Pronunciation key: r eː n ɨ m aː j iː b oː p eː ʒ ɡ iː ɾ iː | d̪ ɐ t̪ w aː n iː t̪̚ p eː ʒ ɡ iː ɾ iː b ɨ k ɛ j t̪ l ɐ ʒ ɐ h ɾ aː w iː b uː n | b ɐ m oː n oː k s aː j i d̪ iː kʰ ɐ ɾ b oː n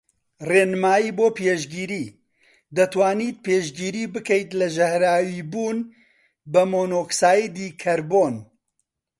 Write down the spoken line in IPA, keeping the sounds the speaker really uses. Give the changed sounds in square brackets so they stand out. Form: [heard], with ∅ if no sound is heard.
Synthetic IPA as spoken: r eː n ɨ m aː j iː b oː p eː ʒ ɡ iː ɾ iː | d̪ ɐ t̪ w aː n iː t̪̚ p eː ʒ ɡ iː ɾ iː b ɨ k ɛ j t̪ l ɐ ʒ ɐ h ɾ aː w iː b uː n | b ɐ m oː n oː k s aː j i d̪ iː kʰ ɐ ɾ b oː n